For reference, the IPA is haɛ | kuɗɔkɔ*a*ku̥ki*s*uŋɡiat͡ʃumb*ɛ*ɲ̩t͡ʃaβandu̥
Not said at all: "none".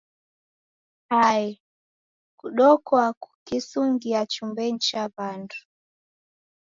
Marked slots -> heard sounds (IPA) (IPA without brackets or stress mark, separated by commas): a, s, ɛ